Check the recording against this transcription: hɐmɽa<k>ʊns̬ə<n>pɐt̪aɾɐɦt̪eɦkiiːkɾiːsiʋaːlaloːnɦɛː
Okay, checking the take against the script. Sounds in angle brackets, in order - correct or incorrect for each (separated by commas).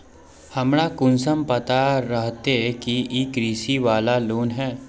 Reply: correct, incorrect